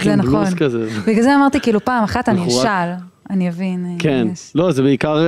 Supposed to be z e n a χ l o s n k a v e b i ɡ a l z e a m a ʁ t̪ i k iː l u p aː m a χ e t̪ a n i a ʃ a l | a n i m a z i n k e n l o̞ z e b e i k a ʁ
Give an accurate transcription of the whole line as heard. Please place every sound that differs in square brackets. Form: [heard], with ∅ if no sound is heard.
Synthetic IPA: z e n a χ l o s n k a [z] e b i ɡ a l z e a m a ʁ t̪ i k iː l u p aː m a χ [a] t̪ a n i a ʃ a l | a n i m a [v] i n k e n l o̞ z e b e i k a ʁ